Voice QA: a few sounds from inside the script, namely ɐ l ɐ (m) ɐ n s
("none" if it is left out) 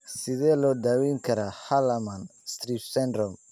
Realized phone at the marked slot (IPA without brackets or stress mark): m